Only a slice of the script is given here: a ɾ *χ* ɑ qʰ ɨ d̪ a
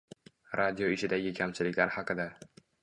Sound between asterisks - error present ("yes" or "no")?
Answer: yes